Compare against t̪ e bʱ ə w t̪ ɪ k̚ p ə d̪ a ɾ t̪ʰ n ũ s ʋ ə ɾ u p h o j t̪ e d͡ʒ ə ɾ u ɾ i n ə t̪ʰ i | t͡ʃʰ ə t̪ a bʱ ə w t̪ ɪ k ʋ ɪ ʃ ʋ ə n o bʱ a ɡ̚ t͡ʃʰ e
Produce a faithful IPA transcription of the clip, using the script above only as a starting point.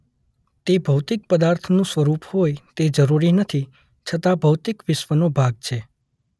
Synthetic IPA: t̪ e bʱ ə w t̪ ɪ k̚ p ə d̪ a ɾ t̪ʰ n ũ s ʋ ə ɾ u p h o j t̪ e d͡ʒ ə ɾ u ɾ i n ə t̪ʰ i | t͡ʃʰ ə t̪ a bʱ ə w t̪ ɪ k ʋ ɪ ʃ ʋ ə n o bʱ a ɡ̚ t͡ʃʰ e